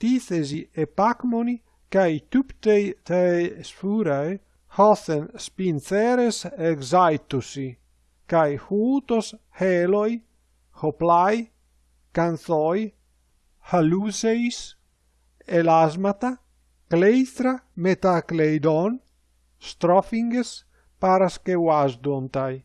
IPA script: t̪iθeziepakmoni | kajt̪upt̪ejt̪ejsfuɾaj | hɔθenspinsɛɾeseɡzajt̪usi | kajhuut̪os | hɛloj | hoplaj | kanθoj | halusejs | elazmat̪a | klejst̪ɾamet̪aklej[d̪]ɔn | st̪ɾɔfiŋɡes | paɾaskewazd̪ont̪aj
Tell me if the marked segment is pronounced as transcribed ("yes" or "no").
yes